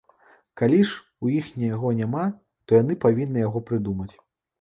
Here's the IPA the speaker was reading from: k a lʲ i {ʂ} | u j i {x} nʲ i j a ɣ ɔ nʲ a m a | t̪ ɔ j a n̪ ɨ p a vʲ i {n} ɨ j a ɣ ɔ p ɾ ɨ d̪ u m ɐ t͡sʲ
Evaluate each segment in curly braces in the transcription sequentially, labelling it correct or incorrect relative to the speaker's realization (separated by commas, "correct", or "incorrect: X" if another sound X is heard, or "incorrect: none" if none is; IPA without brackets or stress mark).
correct, correct, incorrect: nː